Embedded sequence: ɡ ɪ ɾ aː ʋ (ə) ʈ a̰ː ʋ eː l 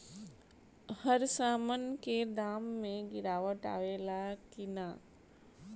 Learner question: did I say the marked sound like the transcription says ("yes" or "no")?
yes